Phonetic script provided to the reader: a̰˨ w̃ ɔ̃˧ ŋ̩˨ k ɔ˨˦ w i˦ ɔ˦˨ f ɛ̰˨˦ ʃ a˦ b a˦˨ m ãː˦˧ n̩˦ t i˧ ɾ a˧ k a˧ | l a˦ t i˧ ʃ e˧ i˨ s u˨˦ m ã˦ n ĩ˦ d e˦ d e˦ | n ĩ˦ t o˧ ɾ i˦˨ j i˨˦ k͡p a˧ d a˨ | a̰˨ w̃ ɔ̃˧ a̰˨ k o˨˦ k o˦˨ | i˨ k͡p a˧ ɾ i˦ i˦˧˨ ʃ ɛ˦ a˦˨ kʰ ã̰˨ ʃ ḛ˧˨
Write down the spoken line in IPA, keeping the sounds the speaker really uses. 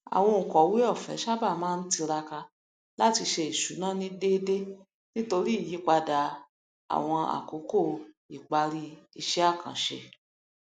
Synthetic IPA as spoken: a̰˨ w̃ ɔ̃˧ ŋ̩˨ k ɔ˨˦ w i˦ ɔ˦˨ f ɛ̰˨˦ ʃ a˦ b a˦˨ m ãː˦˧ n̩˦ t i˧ ɾ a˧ k a˧ | l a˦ t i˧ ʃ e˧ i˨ ʃ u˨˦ n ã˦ n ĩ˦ d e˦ d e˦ | n ĩ˦ t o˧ ɾ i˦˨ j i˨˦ k͡p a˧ d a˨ | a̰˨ w̃ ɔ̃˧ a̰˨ k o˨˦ k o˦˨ | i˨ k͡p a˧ ɾ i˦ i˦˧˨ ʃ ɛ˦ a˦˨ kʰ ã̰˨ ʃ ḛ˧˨